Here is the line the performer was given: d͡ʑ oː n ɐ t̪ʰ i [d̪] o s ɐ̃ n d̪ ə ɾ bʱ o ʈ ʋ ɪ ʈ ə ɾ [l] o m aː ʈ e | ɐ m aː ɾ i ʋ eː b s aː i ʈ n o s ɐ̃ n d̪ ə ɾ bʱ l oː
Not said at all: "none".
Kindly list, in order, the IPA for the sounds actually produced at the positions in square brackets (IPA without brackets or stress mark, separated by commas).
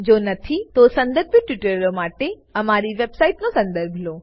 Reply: t̪, l